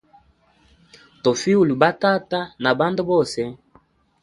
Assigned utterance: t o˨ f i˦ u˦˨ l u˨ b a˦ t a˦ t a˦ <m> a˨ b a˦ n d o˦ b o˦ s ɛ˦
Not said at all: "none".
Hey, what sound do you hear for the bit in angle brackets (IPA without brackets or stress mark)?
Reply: n